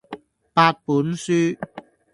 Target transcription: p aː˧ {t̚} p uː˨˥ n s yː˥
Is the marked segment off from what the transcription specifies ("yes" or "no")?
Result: no